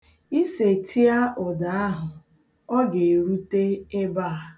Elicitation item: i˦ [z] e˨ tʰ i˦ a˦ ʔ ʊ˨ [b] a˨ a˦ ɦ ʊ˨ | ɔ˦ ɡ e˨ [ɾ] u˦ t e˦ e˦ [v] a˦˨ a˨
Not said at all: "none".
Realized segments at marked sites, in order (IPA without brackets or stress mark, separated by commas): s, d, ɾ, b